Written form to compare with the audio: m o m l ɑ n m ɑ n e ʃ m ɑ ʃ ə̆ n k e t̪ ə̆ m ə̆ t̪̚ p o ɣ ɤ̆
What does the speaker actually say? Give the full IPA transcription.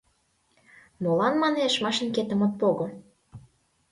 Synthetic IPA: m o l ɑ n m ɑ n e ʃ m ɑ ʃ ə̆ n k e t̪ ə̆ m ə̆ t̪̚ p o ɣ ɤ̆